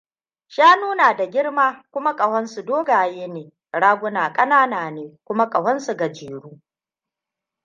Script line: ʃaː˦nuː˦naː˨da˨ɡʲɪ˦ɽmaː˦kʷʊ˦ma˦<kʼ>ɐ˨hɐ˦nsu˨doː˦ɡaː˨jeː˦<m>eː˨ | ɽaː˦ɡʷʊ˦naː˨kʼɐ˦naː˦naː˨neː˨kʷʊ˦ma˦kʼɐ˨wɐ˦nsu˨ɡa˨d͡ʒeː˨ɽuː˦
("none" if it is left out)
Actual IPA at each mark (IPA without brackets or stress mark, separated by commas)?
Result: kʼ, n